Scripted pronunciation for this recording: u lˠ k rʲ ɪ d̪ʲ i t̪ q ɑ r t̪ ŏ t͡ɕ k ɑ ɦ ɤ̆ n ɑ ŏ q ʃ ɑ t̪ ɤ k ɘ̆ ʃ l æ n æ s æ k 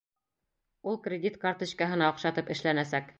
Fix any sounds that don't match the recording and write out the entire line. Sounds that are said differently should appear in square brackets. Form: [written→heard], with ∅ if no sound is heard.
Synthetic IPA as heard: u lˠ k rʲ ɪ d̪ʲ i t̪ [q→k] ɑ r t̪ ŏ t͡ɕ k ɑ ɦ ɤ̆ n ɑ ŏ q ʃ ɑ t̪ ɤ [k→p] ɘ̆ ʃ l æ n æ s æ k